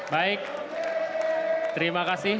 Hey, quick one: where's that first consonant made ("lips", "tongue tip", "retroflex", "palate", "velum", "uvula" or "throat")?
lips